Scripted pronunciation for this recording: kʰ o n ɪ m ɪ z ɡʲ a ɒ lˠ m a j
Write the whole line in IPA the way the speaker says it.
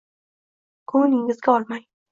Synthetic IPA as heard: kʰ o n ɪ ŋ ɪ z ɡʲ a ɒ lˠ m a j